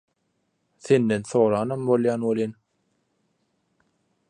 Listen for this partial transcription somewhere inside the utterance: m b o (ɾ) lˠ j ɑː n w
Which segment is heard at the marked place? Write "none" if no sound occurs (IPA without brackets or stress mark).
none